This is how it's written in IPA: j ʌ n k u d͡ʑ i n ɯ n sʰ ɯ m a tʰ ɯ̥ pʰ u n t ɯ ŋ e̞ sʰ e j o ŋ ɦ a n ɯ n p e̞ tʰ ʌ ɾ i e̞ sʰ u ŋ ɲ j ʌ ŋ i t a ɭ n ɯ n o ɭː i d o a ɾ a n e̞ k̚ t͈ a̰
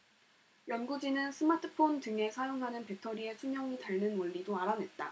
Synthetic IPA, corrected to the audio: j ʌ n ɡ u d͡ʑ i n ɯ n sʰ ɯ m a tʰ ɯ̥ pʰ o n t ɯ ŋ e̞ sʰ a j o ŋ ɦ a n ɯ n p e̞ tʰ ʌ ɾ i e̞ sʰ u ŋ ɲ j ʌ ŋ i t a ɭ n ɯ n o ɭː i d o a ɾ a n e̞ t̚ t͈ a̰